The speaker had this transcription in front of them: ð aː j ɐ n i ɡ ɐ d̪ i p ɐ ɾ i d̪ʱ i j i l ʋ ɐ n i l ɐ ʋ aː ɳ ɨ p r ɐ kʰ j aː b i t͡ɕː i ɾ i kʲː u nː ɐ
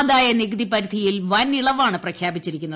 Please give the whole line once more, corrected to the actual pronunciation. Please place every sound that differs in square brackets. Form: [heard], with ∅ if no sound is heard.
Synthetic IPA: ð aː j ɐ n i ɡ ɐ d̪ i p ɐ ɾ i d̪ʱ i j i l ʋ ɐ n i [ɭ] ɐ ʋ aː ɳ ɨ p r ɐ kʰ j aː b i t͡ɕː i ɾ i kʲː u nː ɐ